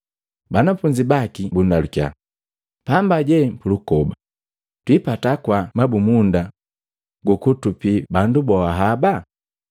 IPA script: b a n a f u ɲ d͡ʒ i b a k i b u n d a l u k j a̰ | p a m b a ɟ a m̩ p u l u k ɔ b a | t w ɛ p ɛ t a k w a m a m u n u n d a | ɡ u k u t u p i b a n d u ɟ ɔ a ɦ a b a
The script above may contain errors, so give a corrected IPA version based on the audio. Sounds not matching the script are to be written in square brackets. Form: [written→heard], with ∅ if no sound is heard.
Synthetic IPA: b a n a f u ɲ d͡ʒ i b a k i b u n d a l u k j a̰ | p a m b a ɟ [a→ɛ] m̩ p u l u k ɔ b a | t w [ɛ→i] p [ɛ→a] t a k w a m a [m→b] u [n→m] u n d a | ɡ u k u t u p i b a n d u [ɟ→b] ɔ a ɦ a b a